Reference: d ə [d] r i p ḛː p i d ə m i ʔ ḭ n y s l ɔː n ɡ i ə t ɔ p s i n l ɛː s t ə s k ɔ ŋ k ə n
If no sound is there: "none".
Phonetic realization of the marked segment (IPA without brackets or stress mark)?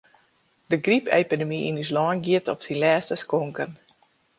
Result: ɡ